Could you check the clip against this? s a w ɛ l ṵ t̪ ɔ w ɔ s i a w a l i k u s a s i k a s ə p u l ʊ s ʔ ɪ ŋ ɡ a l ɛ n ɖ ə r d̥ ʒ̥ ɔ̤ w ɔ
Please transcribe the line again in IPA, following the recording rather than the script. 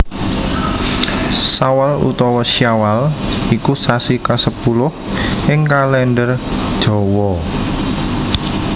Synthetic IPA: s a w a l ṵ t̪ ɔ w ɔ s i a w a l i k u s a s i k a s ə p u l ʊ h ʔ ɪ ŋ k a l ɛ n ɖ ə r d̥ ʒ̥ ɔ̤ w ɔ